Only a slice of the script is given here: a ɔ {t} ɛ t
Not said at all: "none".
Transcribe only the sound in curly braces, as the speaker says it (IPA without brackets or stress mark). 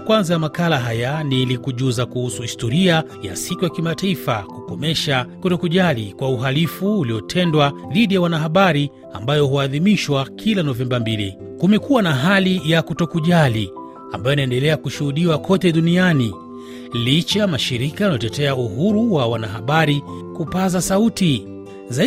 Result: t